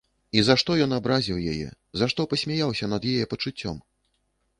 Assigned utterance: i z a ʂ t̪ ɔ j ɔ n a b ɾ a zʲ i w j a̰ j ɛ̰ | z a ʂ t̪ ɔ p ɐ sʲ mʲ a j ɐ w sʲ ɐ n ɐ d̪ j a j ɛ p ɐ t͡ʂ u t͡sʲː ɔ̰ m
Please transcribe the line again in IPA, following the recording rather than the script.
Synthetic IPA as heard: i z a ʂ t̪ ɔ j ɔ n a b ɾ a zʲ i w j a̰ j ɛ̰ | z a ʂ t̪ ɔ p ɐ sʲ mʲ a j a w sʲ ɐ n ɐ d̪ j a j ɛ p ɐ t͡ʂ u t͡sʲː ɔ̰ m

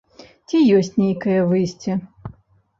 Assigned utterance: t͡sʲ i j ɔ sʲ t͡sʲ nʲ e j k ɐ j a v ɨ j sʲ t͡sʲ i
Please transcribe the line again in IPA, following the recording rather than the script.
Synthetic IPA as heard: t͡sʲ i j ɔ sʲ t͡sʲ nʲ e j k ɐ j ɐ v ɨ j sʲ t͡sʲ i

